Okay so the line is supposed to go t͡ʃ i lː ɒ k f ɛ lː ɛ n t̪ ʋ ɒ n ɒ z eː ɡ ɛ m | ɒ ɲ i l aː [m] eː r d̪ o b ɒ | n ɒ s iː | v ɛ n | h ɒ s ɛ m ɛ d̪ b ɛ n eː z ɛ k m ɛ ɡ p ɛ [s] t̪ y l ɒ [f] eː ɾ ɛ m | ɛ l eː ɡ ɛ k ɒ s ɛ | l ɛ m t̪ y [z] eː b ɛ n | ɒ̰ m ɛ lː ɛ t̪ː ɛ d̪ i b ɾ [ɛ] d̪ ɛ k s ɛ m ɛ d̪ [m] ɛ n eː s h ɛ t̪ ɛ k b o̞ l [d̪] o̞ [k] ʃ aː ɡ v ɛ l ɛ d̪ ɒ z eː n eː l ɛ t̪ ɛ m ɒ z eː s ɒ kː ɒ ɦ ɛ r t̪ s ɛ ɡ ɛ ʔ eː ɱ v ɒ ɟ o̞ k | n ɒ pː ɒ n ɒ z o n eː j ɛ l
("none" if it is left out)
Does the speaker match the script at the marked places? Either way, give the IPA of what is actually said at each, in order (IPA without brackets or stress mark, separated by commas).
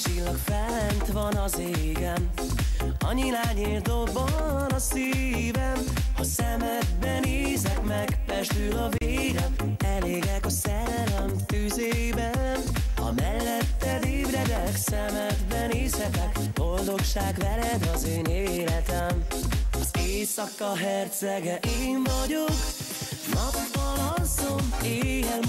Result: ɲ, ʃ, v, z, ɛ, b, d̪, k